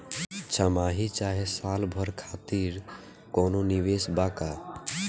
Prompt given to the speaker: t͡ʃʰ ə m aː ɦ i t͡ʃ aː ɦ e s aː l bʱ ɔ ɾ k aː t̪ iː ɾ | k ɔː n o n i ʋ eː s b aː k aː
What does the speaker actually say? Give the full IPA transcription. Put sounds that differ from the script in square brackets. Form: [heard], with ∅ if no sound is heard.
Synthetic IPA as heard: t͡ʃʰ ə m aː ɦ i t͡ʃ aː ɦ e s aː l bʱ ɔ ɾ [kʰ] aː t̪ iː ɾ | k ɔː n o n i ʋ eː s b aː k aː